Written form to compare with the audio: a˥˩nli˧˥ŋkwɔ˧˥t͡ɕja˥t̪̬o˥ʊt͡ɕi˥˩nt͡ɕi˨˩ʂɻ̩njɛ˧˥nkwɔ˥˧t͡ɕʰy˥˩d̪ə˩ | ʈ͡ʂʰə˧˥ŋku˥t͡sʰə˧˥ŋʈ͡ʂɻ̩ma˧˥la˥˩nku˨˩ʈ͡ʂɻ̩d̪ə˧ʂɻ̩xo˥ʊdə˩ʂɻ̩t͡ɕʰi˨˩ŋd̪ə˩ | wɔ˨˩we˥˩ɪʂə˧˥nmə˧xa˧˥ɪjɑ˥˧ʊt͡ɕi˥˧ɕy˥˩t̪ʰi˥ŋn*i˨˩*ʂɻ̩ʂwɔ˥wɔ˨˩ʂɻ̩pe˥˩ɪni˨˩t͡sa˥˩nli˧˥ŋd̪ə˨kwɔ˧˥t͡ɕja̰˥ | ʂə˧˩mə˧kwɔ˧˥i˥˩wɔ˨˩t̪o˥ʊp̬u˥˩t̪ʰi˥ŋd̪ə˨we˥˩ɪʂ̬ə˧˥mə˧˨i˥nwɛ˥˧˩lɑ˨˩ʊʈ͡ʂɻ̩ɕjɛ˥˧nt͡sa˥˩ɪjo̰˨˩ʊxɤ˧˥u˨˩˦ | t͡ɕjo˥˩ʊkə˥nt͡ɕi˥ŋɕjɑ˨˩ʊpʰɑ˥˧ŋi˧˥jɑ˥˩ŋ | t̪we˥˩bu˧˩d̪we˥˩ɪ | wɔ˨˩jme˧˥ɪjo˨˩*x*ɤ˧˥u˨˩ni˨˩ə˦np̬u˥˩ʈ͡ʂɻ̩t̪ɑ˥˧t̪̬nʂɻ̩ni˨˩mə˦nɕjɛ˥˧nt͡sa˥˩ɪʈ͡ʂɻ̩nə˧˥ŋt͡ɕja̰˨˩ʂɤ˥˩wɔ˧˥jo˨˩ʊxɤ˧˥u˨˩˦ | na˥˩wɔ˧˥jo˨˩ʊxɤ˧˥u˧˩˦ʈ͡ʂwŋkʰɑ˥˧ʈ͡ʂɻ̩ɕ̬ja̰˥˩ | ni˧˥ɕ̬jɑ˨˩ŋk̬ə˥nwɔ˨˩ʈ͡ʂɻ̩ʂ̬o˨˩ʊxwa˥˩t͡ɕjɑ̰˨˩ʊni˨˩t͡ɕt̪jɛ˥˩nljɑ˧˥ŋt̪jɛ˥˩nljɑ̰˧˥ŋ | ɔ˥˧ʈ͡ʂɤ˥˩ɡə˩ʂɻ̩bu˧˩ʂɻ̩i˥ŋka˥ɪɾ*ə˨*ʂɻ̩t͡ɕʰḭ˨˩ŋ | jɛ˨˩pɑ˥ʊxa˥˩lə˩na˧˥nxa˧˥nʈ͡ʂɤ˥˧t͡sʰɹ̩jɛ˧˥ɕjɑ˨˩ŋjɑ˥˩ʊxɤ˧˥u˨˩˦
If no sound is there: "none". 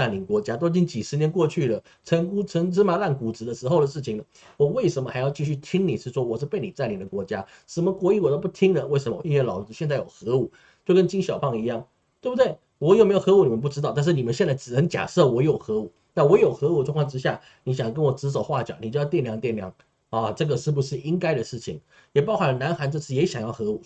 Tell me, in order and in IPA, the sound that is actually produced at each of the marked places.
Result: i˨˩, x, ə˨

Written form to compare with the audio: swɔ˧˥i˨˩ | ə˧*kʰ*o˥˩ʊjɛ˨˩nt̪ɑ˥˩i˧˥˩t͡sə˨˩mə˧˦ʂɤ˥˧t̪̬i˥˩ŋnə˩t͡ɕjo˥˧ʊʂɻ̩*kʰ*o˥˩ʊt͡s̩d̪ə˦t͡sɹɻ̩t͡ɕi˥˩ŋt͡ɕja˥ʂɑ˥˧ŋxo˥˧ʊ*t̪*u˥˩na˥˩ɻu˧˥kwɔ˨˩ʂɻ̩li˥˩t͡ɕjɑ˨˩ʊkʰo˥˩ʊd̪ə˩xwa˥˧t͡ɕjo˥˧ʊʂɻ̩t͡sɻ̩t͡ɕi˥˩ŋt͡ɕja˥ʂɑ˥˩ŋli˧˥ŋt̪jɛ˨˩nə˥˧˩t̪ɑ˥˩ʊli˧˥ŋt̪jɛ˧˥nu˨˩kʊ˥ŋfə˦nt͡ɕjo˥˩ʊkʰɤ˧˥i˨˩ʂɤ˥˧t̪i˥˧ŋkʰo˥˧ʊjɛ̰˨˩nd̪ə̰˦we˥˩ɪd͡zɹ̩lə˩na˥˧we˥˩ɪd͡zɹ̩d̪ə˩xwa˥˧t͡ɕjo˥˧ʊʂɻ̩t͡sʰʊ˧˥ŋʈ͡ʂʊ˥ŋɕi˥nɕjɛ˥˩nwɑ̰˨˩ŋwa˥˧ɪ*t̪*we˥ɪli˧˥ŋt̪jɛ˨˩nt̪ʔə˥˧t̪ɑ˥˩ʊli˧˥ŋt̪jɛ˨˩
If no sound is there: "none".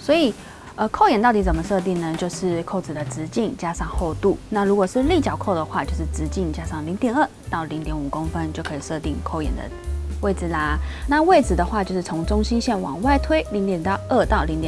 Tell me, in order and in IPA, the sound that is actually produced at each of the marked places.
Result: kʰ, kʰ, t̪, t̪ʰ

